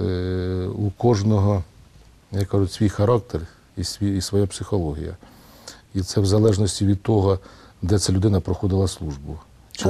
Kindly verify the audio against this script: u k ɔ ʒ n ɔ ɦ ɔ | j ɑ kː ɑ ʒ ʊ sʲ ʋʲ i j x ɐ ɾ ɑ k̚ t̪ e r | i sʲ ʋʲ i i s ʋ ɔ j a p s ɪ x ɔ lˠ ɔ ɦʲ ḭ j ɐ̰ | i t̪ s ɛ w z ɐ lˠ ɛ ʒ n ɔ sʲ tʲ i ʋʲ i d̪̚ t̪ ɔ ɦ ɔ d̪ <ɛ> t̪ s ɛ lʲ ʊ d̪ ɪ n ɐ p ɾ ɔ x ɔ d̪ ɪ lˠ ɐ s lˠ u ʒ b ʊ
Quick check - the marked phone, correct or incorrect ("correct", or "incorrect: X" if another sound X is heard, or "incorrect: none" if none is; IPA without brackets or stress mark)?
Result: correct